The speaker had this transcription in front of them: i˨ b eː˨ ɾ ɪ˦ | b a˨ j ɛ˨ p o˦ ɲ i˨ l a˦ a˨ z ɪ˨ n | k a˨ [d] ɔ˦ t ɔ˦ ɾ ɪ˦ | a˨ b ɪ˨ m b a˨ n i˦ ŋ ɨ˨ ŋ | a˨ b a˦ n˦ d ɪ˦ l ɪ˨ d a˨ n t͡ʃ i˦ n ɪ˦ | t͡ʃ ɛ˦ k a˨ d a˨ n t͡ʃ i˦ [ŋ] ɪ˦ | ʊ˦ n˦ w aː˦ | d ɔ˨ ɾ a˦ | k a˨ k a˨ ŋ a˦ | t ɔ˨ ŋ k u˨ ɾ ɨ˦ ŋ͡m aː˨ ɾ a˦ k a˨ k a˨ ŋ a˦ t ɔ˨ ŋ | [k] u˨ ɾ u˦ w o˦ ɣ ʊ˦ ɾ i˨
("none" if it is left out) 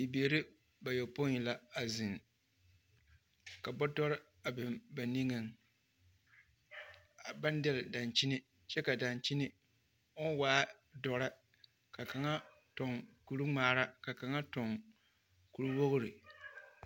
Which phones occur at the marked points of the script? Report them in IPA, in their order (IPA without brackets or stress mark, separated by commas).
b, n, k